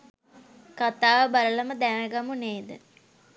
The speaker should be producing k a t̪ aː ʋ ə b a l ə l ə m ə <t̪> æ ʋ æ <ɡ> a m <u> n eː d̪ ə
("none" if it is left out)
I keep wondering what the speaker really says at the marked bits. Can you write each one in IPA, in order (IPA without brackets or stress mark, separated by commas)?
d̪, ɡ, u